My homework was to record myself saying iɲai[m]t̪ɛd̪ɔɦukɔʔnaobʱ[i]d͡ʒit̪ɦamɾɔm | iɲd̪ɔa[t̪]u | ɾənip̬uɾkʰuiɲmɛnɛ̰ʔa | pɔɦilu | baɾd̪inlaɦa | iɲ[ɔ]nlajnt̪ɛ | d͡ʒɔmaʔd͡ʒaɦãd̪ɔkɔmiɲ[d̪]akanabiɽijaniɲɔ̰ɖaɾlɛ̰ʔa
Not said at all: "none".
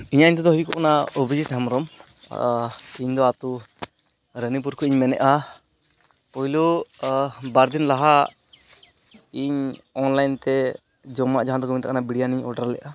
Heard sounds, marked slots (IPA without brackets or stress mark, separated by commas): ɲ, i, t̪, ɔ, t̪